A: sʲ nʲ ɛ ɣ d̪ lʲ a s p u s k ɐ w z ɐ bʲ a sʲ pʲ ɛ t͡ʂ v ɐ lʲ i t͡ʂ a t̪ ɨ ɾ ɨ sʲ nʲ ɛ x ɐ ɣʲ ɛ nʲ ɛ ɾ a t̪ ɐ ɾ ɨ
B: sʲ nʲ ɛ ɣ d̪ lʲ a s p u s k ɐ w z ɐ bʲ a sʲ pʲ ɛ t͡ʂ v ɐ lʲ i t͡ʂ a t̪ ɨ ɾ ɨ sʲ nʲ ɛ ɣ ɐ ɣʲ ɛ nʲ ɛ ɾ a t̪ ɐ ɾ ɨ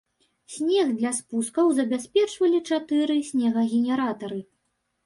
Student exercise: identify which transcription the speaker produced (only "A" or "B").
B